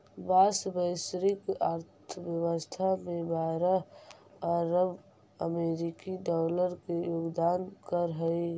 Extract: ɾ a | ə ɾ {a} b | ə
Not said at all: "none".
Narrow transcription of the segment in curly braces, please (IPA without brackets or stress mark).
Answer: ə